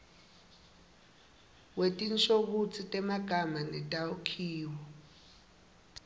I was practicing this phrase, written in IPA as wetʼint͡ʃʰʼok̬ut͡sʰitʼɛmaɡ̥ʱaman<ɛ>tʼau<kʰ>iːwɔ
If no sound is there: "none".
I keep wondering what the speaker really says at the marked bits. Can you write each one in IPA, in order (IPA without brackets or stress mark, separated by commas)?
ɛ, kʰ